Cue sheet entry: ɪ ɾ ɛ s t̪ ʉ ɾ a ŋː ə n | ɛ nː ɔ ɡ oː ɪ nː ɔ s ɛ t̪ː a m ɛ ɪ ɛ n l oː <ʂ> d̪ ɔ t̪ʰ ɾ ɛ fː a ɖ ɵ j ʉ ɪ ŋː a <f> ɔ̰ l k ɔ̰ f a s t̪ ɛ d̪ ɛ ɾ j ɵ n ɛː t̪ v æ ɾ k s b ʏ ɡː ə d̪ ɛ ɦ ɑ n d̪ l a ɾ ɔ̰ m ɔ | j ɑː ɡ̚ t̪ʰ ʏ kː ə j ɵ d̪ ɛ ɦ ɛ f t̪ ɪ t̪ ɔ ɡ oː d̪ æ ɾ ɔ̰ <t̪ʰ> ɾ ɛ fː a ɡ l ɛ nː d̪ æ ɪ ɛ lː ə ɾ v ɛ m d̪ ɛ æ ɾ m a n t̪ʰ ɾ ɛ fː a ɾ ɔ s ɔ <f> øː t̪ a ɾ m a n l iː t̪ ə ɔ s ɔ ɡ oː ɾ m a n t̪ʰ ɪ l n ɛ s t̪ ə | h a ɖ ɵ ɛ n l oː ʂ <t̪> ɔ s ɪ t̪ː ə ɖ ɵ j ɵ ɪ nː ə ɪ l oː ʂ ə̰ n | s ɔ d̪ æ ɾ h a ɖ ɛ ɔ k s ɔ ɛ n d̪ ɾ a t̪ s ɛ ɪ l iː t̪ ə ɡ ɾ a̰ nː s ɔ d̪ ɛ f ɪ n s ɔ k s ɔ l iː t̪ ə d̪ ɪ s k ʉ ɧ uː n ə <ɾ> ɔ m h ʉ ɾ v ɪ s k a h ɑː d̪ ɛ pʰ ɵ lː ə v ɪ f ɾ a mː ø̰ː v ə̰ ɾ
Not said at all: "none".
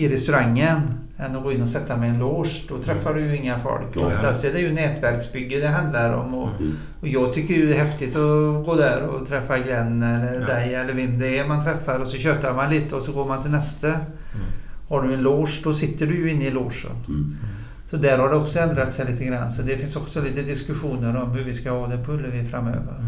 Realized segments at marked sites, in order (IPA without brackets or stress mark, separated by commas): ʂ, f, t̪ʰ, ɕ, d̪, ɾ